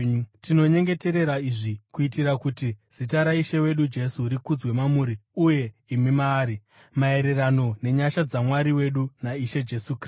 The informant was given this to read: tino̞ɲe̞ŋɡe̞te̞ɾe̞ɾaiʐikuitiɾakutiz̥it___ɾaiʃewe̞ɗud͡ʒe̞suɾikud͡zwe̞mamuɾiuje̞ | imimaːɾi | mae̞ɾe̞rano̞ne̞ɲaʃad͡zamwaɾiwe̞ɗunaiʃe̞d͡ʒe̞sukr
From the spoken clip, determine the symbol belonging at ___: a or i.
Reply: a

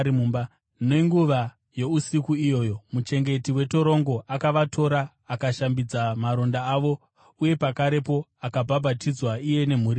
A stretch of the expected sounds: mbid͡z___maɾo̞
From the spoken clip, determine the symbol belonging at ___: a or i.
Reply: a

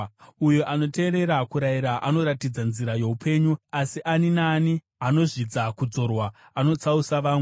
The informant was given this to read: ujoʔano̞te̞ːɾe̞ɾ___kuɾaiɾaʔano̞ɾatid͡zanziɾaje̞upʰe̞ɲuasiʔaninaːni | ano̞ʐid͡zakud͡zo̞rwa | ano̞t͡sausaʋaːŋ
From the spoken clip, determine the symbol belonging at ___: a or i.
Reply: a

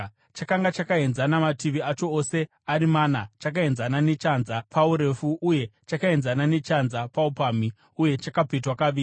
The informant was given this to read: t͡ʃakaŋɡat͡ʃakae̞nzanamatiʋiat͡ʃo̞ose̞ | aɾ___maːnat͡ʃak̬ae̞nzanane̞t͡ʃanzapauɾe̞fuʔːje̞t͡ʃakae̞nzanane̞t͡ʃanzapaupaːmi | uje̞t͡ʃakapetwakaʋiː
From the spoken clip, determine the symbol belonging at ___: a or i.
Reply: i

